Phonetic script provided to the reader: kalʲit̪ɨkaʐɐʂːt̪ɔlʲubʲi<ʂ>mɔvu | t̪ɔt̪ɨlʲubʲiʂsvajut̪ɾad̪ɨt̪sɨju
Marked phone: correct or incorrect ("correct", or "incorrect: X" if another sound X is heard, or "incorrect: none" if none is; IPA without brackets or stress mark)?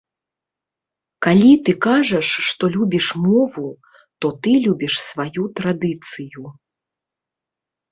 correct